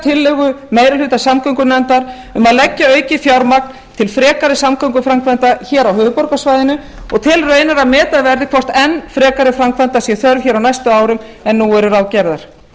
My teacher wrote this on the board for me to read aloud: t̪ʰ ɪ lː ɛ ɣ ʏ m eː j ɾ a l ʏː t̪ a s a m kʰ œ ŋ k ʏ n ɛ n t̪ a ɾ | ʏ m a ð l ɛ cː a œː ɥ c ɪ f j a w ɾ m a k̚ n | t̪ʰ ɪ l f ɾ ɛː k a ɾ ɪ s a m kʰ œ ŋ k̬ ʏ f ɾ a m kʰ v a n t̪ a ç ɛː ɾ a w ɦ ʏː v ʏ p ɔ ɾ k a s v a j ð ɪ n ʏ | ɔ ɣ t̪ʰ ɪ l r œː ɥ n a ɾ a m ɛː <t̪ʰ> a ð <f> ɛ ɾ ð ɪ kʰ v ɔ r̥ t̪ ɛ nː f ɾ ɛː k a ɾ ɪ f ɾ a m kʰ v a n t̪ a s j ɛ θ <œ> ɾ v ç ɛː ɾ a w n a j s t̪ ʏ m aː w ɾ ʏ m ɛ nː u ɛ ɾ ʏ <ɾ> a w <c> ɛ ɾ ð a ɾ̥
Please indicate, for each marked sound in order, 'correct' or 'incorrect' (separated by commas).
incorrect, incorrect, correct, correct, correct